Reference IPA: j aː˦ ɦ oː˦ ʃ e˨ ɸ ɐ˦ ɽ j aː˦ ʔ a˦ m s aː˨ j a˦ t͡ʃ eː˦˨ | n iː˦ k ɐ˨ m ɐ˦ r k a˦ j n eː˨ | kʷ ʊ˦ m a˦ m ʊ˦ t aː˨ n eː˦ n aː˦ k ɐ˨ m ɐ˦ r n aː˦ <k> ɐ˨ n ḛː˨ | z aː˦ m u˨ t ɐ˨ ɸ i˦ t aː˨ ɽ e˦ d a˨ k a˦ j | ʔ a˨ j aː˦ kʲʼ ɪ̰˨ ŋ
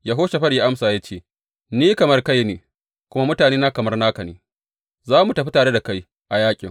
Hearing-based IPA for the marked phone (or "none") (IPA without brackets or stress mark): k